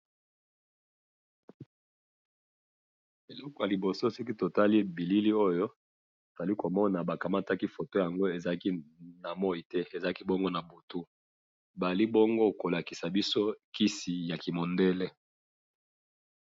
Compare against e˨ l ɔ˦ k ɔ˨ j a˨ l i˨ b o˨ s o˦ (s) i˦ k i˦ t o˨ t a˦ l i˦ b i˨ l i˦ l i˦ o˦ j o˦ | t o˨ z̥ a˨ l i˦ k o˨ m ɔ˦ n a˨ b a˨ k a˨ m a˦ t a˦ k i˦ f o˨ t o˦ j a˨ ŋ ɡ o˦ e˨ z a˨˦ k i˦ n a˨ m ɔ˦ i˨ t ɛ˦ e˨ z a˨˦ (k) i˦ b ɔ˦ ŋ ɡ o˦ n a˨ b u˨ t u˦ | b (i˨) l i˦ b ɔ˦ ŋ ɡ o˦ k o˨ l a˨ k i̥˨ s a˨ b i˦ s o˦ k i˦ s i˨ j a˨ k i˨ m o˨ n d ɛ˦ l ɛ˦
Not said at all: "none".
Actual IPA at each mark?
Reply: s, k, a˨

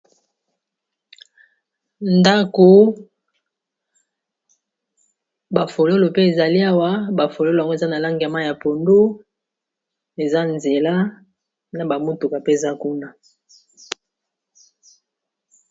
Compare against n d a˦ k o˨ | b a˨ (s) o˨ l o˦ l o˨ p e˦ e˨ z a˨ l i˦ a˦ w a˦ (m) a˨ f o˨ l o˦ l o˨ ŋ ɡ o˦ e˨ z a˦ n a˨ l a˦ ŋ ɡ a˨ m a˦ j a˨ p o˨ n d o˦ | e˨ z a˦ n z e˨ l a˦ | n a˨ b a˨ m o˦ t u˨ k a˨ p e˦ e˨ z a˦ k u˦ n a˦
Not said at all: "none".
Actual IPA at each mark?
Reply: f, b

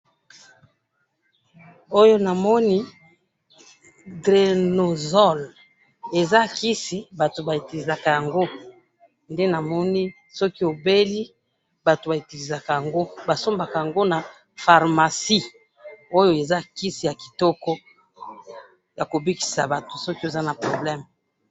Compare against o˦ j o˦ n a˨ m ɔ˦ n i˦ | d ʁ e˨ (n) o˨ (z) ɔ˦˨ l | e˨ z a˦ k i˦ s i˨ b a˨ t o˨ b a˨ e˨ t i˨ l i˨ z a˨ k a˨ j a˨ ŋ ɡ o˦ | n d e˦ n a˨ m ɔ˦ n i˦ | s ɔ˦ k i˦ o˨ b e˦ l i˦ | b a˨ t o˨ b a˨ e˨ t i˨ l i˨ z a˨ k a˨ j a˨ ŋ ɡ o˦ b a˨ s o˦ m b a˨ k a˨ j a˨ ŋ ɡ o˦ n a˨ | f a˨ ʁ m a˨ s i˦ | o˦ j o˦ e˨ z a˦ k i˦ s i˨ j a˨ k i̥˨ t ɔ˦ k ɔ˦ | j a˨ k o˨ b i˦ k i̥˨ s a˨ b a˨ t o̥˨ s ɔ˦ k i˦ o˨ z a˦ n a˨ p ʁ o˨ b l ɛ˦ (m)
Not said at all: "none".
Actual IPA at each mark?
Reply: n, z, m

